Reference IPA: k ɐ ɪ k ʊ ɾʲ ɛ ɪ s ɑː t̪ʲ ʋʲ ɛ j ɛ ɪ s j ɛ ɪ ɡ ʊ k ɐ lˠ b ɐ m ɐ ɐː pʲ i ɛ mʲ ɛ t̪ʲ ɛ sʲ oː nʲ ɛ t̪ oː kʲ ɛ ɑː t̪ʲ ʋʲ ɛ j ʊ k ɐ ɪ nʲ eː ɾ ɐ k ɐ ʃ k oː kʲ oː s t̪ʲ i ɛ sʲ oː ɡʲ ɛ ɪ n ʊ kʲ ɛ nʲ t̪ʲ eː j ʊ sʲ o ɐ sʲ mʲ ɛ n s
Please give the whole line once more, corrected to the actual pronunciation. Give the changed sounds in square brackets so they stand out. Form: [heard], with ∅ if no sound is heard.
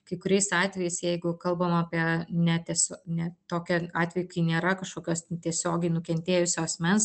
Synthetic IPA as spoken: k ɐ ɪ k ʊ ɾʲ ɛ ɪ s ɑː t̪ʲ ʋʲ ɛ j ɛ ɪ s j ɛ ɪ ɡ ʊ k ɐ lˠ b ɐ m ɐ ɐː pʲ i ɛ [nʲ] ɛ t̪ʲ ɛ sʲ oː nʲ ɛ t̪ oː kʲ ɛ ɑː t̪ʲ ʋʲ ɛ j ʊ k ɐ ɪ nʲ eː ɾ ɐ k ɐ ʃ k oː kʲ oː s t̪ʲ i ɛ sʲ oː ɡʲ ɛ ɪ n ʊ kʲ ɛ nʲ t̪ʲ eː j ʊ sʲ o ɐ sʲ mʲ ɛ n s